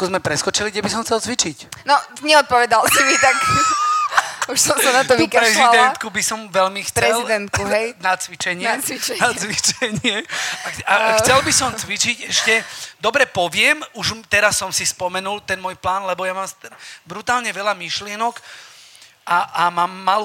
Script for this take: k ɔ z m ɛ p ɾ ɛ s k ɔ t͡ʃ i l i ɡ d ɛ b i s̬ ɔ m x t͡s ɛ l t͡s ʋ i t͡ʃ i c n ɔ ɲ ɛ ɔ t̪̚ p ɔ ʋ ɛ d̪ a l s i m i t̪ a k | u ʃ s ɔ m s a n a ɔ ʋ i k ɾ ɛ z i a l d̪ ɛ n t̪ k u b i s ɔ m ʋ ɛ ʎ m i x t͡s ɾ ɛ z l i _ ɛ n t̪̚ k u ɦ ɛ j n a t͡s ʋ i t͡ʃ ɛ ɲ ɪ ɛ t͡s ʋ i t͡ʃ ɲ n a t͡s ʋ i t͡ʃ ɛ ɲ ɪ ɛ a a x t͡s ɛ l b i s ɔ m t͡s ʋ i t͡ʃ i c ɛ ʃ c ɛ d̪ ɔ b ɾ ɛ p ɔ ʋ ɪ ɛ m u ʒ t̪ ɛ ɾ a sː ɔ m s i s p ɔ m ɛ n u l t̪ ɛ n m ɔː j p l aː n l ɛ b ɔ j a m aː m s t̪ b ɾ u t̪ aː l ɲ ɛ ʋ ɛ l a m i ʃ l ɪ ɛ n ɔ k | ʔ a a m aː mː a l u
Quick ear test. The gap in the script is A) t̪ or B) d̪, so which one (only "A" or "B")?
B